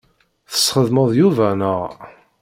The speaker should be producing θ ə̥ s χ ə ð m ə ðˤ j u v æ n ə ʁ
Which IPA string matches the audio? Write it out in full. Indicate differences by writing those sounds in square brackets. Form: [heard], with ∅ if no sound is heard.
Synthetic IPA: θ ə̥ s χ ə ð m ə ðˤ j u v æ n ə ʁ

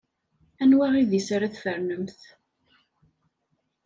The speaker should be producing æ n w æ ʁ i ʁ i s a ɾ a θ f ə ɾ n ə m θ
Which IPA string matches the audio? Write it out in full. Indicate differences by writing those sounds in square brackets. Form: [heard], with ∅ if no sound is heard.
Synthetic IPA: æ n w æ ʁ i [ð] i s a ɾ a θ f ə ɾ n ə m θ

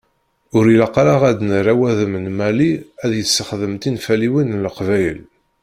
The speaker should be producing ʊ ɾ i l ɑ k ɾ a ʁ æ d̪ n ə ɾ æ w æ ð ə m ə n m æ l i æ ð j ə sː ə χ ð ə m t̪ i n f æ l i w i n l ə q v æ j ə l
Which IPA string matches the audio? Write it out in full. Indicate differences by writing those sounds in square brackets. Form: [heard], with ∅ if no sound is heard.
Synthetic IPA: ʊ ɾ i l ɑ [q] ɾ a ʁ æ d̪ n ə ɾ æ w æ ð ə m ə n m æ l i æ ð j ə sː ə χ ð ə m t̪ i n f æ l i w i n l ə q v æ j ə l

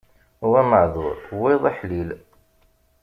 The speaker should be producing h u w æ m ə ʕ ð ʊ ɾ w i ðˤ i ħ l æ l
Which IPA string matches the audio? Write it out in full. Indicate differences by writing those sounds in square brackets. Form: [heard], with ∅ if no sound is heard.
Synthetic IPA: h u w æ m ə ʕ ð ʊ ɾ w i ðˤ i ħ l [i] l

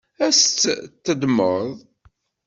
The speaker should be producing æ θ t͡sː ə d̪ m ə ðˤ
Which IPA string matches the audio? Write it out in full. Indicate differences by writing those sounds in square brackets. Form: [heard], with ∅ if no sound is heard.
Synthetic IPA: æ [s] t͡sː ə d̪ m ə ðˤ

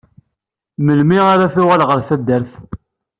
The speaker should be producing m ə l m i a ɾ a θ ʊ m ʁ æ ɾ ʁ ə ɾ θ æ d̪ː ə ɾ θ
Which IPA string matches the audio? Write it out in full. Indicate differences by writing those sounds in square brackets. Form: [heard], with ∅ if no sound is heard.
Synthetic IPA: m ə l m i a ɾ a θ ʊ [∅] ʁ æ [l] ʁ ə ɾ θ æ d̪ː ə ɾ θ

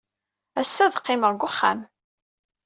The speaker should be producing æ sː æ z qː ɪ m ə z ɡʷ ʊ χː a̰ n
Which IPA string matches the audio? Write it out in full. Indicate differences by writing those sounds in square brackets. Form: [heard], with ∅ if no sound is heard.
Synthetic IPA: æ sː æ [ð] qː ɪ m ə [ʁ] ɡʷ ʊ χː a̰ [m]

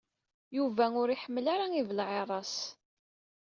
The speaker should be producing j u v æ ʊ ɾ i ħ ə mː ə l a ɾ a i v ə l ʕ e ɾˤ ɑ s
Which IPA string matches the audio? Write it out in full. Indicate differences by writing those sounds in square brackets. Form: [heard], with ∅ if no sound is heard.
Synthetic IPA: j u v æ ʊ ɾ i ħ ə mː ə l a ɾ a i v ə l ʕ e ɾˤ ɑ s

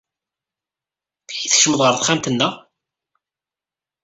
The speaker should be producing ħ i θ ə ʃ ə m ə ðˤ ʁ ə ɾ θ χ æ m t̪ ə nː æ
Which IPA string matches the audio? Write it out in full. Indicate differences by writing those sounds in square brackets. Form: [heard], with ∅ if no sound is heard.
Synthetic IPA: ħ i θ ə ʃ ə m ə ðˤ ʁ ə ɾ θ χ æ m t̪ ə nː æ

